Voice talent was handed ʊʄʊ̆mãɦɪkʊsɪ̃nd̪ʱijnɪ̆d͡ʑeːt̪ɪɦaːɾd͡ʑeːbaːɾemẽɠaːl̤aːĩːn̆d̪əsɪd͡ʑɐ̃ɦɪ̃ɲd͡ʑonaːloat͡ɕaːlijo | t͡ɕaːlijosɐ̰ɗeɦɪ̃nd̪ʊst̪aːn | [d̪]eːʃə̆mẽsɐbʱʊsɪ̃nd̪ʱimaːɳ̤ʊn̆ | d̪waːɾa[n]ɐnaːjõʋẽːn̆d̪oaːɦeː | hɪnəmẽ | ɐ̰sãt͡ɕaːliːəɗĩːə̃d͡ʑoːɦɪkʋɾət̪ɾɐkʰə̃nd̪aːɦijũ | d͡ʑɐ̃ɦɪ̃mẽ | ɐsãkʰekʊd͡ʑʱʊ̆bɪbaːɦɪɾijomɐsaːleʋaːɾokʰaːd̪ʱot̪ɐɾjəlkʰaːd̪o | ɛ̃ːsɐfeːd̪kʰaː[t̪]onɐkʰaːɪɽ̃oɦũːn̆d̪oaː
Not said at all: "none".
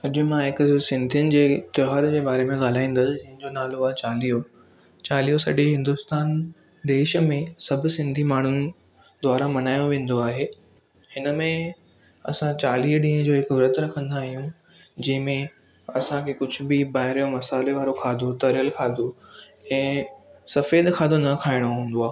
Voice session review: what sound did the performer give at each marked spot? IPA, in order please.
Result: d̪, m, d̪

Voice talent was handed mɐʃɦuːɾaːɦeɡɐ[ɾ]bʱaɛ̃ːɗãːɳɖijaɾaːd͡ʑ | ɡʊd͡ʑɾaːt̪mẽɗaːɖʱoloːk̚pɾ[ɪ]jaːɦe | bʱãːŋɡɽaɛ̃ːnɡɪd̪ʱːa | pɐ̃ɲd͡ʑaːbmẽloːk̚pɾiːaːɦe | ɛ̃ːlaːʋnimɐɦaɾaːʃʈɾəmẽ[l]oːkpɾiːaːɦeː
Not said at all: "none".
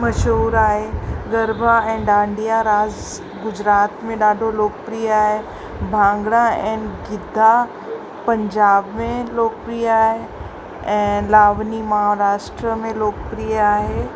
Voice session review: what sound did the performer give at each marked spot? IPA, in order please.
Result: ɾ, i, l

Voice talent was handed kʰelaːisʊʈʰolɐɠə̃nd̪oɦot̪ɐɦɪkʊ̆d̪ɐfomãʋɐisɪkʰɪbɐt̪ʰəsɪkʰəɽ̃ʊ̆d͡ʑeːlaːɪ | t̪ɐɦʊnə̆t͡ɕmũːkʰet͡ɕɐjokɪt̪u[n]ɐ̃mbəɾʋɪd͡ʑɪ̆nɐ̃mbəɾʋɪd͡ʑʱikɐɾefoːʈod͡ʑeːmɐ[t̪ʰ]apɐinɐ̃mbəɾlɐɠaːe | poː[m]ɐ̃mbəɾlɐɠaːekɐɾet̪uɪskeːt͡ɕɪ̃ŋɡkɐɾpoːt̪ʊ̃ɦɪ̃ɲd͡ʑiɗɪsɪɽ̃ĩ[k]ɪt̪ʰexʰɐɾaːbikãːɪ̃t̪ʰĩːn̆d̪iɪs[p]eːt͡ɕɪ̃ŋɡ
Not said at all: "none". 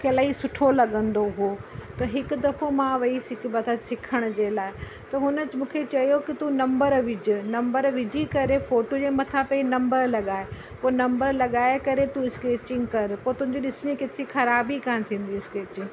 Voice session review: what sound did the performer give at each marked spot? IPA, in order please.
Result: n, t̪ʰ, n, k, k

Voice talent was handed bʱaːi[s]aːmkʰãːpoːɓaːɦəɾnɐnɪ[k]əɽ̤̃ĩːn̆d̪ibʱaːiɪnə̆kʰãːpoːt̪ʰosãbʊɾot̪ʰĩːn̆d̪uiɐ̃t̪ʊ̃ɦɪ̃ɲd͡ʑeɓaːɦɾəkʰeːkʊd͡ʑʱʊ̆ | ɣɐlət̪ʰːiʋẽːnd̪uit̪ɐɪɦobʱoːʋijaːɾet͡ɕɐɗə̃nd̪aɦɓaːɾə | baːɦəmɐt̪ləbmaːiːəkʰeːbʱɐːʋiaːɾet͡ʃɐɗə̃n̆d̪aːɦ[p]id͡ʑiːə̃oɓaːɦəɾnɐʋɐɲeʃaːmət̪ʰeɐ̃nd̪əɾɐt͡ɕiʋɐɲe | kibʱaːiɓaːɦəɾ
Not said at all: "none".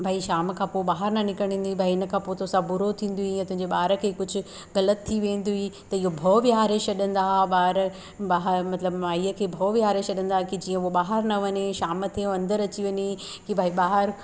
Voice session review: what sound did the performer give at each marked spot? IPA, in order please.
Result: ʃ, k, k

